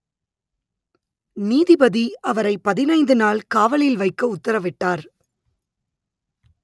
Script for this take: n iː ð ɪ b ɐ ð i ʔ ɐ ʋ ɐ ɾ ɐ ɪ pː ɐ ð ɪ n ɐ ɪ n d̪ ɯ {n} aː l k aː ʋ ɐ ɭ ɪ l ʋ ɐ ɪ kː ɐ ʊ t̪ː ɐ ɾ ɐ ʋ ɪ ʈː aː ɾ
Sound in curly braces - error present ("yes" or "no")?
no